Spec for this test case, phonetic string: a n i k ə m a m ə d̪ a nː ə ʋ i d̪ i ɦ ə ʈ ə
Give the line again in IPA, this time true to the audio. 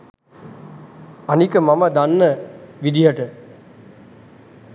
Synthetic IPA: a n i k ə m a m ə d̪ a nː ə ʋ i d̪ i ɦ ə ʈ ə